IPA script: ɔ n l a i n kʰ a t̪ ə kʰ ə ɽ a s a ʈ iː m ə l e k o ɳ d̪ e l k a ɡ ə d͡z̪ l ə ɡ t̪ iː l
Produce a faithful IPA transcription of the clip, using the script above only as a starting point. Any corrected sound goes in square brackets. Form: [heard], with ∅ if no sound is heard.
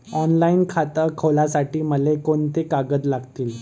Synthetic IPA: ɔ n l a i n kʰ a t̪ ə kʰ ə [l] a s a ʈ iː m ə l e k o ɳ [t̪] e [∅] k a ɡ ə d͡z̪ l [a] ɡ t̪ iː l

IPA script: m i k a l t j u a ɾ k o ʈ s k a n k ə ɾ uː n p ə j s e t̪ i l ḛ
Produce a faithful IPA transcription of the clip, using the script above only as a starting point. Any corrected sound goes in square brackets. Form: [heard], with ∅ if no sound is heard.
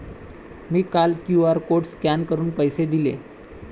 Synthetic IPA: m [iː] k a l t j u a ɾ k o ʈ s k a n k ə ɾ uː n p ə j s e [d̪] i l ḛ

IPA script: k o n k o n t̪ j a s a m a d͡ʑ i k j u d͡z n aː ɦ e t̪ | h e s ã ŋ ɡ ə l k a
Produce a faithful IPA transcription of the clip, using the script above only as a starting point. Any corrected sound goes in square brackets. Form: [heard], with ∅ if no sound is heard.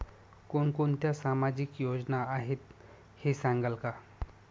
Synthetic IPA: k o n k o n t̪ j a s a m a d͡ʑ i k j [o] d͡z n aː ɦ e t̪ | h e s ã ŋ ɡ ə l k a

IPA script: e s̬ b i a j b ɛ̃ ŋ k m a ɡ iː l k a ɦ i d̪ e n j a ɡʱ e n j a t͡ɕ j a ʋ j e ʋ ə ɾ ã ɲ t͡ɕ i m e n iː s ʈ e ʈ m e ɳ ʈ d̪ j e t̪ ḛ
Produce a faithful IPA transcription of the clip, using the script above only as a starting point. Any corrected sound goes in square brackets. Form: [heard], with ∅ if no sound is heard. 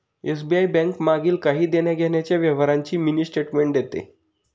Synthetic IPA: e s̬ b i a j b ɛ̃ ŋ k m a ɡ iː l k a ɦ [iː] d̪ e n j a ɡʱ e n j a t͡ɕ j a ʋ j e ʋ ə ɾ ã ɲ t͡ɕ [iː] m [i] n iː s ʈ e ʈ m e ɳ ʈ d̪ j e t̪ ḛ

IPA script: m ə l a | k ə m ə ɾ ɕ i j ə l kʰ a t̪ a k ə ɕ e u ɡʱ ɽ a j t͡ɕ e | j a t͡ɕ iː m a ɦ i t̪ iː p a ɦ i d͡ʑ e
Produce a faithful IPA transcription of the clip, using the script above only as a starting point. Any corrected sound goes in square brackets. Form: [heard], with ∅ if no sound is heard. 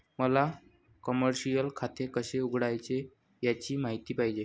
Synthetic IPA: m ə l a | k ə m ə ɾ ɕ i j ə l kʰ a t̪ [e] k ə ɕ e u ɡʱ ɽ a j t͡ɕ e | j a t͡ɕ iː m a ɦ i t̪ iː p a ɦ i d͡ʑ e

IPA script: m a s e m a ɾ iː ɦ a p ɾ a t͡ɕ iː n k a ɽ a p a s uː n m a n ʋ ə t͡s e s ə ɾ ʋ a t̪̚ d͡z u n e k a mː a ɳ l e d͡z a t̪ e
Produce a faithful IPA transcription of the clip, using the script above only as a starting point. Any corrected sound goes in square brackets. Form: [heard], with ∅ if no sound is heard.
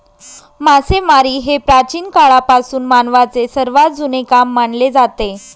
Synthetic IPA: m a s e m a ɾ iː ɦ [e] p ɾ a t͡ɕ iː n k a [ɭ] a p a s uː n m a n ʋ [a] t͡s e s ə ɾ ʋ a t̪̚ d͡z u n e k a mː a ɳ l e d͡z a t̪ e

